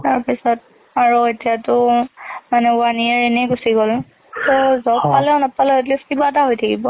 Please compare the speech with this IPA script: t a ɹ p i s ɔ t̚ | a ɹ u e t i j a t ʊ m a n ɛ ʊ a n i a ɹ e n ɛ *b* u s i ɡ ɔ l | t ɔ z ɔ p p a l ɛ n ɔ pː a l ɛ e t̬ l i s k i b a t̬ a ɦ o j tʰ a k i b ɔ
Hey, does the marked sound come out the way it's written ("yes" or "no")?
no